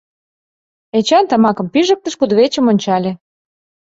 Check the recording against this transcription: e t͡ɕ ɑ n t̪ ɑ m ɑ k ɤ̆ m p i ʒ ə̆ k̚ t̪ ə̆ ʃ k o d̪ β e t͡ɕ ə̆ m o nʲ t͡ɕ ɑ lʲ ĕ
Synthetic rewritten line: e t͡ɕ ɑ n t̪ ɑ m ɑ k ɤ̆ m p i ʒ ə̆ k̚ t̪ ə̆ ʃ k u d̪ β e t͡ɕ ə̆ m o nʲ t͡ɕ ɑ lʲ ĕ